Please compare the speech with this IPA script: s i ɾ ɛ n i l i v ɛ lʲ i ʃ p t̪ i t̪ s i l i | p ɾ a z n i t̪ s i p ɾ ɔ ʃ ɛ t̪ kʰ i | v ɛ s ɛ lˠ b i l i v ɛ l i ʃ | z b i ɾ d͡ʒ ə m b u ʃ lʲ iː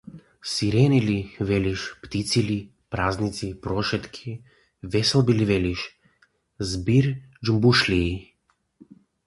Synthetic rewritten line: s i ɾ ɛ n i l i v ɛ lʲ i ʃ p t̪ i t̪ s i l i | p ɾ a z n i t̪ s i p ɾ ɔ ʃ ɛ t̪ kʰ i | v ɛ s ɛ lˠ b i l i v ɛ l i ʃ | z b i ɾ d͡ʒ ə m b u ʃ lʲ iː